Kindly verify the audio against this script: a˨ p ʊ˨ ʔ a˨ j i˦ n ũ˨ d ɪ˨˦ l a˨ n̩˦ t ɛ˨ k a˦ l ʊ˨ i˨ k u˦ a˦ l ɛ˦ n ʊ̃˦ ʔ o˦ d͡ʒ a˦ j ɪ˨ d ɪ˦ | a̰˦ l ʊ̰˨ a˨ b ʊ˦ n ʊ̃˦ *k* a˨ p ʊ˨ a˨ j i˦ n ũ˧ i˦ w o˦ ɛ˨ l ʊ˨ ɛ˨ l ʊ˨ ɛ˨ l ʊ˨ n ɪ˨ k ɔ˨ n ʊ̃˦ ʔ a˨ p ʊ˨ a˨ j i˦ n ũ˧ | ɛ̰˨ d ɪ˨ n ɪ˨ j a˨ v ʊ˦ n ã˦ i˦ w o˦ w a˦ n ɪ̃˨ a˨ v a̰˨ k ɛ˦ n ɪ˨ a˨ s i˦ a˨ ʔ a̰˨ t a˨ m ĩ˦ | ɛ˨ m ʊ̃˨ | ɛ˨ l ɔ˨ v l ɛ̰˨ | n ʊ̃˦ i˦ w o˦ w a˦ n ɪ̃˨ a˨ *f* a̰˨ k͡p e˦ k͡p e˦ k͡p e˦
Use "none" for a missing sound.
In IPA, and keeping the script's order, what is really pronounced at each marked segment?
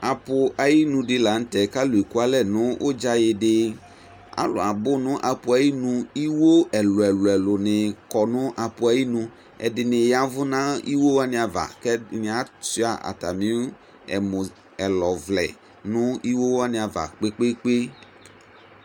ʔ, v

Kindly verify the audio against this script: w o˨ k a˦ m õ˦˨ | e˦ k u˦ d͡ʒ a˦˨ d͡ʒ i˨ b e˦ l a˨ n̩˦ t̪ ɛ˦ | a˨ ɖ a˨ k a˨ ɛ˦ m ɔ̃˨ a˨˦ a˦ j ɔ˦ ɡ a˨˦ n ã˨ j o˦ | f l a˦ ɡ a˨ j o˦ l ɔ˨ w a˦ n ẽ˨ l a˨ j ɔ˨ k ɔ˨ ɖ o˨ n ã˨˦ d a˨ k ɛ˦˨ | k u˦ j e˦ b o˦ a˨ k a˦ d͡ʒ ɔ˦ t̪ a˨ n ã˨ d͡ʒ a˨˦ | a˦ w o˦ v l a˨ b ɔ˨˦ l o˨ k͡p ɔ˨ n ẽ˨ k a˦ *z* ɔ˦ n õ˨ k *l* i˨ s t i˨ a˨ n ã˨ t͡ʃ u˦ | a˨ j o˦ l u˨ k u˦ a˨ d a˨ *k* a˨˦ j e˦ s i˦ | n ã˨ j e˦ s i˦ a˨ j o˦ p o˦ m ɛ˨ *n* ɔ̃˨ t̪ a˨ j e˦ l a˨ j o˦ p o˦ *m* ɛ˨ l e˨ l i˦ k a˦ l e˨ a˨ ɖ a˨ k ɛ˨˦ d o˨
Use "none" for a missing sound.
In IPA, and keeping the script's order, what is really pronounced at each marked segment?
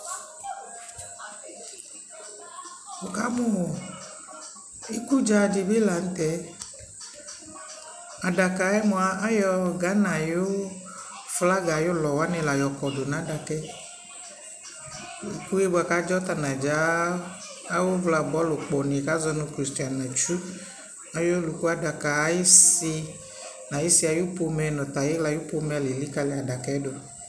z, ɾ, k, n, m

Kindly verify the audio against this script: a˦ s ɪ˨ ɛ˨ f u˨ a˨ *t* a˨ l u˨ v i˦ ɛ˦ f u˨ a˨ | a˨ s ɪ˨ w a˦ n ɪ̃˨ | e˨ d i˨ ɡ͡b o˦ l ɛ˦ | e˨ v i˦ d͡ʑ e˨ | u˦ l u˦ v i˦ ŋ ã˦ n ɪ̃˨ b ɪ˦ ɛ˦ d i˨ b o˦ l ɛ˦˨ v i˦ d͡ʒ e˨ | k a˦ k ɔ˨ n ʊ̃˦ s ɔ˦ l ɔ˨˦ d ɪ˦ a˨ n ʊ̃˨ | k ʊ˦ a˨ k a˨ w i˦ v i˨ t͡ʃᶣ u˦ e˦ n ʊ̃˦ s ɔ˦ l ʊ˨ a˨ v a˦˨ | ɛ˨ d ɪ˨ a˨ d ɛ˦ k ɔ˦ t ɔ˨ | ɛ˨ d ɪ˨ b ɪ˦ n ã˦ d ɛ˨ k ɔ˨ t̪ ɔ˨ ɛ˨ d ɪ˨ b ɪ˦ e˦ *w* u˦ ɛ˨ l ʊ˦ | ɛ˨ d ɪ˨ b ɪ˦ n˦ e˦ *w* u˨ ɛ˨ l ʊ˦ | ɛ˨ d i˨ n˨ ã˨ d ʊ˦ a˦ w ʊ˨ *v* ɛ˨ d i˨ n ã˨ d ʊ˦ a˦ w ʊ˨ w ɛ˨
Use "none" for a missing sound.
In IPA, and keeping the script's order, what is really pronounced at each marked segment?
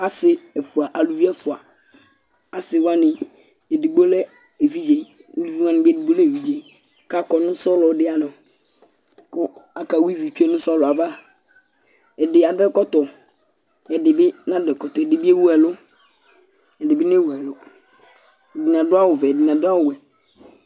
ʔ, w, w, v

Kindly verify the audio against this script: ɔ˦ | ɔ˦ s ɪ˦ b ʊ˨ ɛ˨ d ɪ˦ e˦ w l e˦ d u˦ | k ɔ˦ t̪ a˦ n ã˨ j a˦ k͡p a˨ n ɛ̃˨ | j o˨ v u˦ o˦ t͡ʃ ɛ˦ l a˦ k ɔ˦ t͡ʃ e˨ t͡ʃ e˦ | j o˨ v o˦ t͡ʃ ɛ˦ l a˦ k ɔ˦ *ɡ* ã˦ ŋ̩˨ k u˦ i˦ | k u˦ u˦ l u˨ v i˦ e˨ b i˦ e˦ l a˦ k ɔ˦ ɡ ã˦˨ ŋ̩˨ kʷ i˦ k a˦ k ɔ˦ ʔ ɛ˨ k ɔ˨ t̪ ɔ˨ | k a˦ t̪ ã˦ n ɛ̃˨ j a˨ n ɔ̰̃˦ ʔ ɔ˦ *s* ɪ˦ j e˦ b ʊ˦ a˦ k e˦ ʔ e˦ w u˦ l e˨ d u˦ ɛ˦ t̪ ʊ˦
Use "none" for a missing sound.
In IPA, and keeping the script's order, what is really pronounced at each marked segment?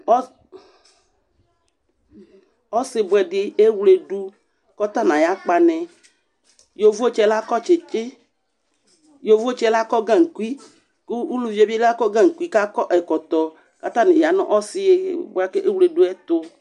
ɡ, s

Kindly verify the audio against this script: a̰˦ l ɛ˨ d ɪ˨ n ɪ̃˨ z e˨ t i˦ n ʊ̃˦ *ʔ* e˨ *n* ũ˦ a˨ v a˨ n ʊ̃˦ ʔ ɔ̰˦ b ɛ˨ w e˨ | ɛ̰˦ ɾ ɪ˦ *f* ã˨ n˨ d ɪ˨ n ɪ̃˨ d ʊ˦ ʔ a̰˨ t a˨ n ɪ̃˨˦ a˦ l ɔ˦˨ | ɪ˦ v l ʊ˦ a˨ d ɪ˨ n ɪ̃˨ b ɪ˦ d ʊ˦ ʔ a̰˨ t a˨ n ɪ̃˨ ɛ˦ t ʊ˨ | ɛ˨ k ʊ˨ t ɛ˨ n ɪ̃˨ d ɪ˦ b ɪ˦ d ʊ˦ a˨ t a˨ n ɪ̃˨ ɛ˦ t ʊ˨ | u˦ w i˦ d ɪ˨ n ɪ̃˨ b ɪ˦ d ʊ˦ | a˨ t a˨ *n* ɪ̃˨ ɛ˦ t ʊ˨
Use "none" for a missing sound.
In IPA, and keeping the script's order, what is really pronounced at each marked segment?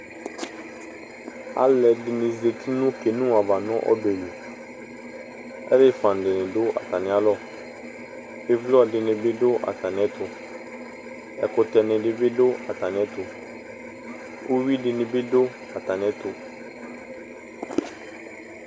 k, n, f, n

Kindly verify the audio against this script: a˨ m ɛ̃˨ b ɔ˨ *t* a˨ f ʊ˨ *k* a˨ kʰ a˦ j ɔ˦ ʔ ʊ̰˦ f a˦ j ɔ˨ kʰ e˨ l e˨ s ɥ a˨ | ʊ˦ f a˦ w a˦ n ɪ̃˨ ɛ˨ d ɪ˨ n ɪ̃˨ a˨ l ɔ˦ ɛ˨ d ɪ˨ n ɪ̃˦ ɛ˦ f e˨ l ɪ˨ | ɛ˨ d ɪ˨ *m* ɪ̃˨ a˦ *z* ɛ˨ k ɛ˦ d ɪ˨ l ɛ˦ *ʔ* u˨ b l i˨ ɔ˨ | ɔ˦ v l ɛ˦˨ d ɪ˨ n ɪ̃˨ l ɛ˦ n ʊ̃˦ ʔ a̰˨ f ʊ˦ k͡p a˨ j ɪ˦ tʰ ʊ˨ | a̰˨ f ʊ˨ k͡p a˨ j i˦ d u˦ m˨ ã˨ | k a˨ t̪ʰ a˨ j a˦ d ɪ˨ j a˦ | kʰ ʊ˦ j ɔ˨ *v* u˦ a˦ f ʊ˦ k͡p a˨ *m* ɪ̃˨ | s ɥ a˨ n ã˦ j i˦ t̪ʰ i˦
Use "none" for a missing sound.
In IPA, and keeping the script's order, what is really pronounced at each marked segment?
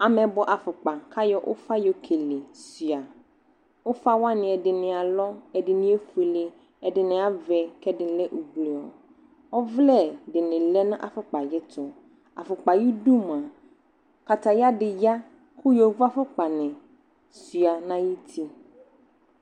ʔ, k͡p, n, v, ʔ, v, n

